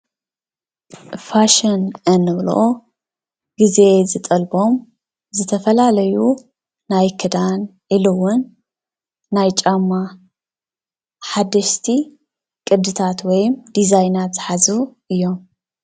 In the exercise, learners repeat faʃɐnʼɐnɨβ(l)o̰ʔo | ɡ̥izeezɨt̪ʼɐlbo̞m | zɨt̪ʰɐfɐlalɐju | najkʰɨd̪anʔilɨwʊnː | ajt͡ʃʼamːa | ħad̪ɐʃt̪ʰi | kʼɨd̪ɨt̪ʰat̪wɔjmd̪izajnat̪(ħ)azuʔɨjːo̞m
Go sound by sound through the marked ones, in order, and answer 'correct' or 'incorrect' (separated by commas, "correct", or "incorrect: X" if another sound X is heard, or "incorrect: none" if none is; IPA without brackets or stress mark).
correct, correct